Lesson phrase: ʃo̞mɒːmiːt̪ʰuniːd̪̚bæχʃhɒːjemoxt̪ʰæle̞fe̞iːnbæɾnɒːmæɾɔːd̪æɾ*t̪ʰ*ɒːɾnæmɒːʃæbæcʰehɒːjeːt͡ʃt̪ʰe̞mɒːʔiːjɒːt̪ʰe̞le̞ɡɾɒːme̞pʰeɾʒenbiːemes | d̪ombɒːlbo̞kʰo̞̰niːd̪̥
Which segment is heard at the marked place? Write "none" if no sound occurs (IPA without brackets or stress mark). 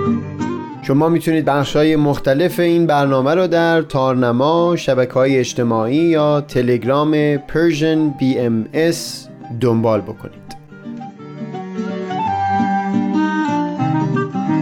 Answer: t̪ʰ